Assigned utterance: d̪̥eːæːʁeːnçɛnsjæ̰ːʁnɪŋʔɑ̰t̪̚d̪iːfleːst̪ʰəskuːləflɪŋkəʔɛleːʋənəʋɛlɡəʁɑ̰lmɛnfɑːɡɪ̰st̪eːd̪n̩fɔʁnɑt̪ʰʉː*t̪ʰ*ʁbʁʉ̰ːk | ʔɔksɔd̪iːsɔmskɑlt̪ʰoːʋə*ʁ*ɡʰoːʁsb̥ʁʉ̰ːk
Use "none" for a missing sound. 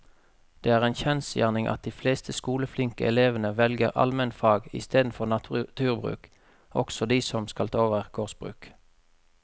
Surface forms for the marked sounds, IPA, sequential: none, ʁ

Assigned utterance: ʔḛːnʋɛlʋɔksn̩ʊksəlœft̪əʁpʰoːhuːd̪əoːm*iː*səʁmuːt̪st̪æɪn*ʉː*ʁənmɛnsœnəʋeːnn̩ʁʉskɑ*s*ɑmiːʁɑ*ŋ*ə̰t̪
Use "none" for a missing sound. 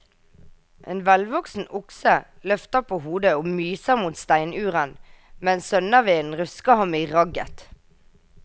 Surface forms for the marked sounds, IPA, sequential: yː, ʉː, h, ɡ

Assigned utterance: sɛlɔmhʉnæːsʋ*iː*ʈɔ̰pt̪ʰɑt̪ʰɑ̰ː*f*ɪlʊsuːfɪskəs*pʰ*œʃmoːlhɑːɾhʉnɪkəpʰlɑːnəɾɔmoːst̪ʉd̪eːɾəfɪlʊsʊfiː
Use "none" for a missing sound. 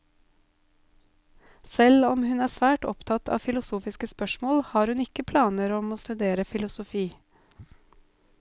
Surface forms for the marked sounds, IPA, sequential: æː, f, p

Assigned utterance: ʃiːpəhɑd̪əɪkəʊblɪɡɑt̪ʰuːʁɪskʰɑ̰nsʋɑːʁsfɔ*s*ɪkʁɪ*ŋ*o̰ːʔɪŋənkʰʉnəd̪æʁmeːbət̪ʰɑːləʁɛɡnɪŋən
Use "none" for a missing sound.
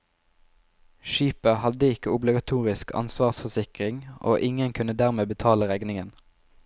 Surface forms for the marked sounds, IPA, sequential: s, ŋ

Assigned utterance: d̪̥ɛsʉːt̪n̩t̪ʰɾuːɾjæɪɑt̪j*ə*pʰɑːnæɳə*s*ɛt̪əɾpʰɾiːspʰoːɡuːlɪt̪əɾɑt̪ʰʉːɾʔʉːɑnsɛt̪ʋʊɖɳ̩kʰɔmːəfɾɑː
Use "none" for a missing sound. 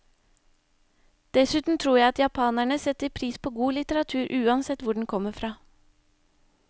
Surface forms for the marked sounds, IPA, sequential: ɑ, s

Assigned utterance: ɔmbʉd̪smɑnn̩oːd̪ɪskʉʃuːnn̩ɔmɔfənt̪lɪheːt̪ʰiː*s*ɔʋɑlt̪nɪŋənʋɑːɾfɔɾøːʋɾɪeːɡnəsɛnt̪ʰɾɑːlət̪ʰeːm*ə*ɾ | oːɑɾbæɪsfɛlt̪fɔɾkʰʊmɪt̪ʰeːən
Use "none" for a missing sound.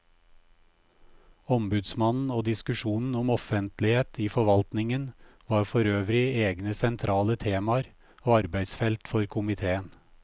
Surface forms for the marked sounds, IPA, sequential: f, ɑ

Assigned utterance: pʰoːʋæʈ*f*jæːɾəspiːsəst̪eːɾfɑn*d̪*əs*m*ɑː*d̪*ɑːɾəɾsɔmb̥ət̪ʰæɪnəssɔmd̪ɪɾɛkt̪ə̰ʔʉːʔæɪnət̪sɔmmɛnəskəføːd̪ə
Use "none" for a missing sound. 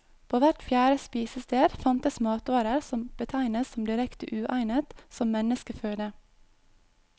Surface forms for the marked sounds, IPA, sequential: f, t̪, m, t̪

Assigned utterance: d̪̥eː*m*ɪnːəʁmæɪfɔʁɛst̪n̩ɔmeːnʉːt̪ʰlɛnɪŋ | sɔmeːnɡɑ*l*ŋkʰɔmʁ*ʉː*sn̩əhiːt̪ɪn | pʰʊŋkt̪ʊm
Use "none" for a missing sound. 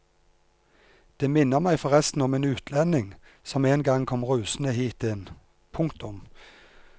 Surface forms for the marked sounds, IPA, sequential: m, none, ʉː

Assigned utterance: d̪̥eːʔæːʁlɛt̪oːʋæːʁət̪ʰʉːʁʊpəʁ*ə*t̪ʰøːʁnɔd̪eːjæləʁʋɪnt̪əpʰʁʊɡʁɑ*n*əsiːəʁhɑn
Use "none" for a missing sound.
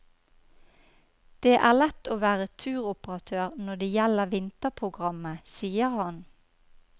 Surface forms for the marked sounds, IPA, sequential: ɑ, m

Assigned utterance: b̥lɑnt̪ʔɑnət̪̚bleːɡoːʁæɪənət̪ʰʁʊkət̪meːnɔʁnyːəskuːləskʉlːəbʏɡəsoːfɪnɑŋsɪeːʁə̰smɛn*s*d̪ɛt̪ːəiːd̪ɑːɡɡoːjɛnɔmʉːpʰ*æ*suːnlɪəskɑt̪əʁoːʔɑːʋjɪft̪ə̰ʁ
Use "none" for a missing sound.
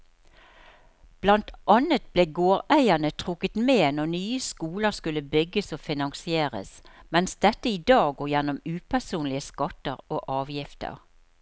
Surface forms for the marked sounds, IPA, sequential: s, æ

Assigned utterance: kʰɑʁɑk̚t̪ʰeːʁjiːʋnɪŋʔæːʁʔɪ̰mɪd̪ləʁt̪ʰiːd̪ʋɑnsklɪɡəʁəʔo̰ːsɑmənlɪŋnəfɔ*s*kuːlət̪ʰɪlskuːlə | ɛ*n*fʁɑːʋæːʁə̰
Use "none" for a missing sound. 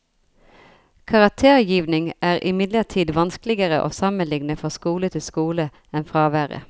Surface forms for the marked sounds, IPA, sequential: s, n

